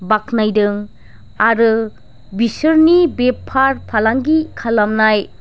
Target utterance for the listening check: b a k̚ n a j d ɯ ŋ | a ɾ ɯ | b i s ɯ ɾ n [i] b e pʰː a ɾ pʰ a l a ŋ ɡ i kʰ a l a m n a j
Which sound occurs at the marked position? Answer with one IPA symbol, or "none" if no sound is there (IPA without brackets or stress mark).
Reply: i